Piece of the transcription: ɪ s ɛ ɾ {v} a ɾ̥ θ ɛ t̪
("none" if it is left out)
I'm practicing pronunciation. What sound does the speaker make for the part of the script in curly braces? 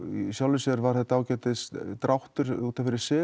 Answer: v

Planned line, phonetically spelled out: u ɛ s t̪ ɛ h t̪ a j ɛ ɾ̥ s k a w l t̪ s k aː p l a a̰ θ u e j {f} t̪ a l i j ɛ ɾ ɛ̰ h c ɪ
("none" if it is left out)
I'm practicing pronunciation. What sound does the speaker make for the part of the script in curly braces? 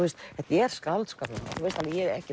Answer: s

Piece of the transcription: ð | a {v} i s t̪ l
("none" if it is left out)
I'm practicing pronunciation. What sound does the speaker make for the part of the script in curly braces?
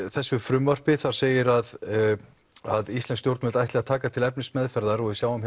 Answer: ð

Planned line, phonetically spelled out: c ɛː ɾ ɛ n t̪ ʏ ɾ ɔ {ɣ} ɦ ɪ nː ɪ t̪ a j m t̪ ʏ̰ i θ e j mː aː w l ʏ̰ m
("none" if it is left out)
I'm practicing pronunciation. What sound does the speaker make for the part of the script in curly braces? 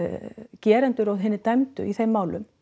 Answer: ð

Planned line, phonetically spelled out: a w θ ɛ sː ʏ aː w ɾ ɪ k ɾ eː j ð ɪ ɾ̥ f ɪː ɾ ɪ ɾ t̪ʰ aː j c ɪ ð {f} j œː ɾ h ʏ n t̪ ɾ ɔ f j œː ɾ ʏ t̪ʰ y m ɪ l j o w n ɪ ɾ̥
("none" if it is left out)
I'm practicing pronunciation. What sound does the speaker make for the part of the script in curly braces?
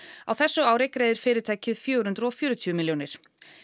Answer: f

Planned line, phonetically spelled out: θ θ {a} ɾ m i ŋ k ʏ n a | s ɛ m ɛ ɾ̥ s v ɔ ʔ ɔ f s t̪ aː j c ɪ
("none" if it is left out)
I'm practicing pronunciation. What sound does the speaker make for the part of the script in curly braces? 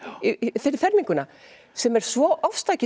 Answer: ɛ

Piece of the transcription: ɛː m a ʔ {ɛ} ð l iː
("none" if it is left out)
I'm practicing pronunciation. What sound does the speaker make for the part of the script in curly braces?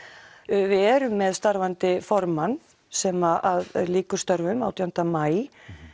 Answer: a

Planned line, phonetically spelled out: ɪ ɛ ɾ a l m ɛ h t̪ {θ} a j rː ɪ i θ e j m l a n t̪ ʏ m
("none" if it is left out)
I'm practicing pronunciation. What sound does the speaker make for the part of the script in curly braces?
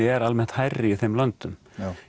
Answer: h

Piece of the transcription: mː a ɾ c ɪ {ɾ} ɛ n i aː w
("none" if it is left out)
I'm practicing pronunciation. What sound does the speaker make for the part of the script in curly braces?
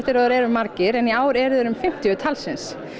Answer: ɾ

